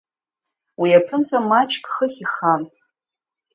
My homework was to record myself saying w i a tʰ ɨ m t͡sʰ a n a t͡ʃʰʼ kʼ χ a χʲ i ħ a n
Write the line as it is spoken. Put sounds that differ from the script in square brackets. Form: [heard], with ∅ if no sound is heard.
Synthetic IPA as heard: w i a [pʰ] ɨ [n] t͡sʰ a [m] a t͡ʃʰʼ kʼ χ [ə] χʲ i [χ] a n